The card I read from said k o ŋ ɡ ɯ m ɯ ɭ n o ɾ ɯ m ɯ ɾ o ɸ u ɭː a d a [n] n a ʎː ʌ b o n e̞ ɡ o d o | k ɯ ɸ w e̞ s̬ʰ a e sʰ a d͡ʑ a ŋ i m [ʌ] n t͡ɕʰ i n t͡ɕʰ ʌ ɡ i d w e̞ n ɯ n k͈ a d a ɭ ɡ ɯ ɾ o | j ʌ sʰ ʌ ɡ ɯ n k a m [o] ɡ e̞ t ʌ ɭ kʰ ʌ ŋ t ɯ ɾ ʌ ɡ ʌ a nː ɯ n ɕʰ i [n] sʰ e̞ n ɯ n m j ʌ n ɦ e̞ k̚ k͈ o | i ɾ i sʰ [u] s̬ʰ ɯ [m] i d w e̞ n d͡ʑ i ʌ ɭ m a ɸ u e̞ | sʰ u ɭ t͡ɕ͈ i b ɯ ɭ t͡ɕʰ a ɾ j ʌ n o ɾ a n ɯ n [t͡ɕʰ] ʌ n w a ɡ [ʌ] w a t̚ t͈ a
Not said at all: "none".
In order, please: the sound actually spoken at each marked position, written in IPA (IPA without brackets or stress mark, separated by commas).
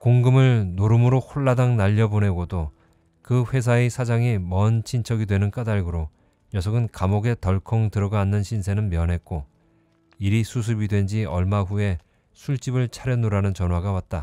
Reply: ŋ, ʌ, o, n, u, b, t͡ɕ, a